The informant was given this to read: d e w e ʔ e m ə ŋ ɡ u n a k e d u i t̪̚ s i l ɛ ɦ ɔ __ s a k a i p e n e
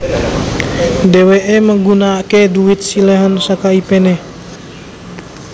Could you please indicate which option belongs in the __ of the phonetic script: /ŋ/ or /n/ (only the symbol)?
n